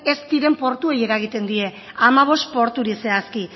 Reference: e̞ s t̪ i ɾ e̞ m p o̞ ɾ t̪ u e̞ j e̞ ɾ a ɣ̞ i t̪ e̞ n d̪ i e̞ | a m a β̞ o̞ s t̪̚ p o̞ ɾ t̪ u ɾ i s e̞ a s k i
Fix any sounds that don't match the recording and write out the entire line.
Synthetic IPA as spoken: e̞ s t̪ i ɾ e̞ m p o̞ ɾ t̪ u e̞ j e̞ ɾ a ɣ̞ i t̪ e̞ n d̪ i e̞ | a m a β̞ o̞ s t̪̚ p o̞ ɾ t̪ u ɾ i s e̞ a s k i